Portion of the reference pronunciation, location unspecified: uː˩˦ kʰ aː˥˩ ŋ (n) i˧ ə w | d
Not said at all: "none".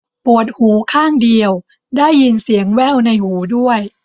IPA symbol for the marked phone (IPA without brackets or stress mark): d